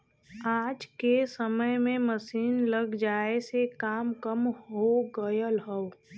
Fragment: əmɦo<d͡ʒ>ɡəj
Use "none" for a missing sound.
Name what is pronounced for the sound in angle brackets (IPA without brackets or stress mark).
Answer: none